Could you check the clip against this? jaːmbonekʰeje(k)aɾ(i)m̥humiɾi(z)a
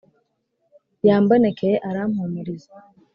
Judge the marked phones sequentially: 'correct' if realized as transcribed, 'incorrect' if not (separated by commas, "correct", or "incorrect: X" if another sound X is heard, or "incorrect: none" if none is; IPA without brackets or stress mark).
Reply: incorrect: ʔ, incorrect: a, correct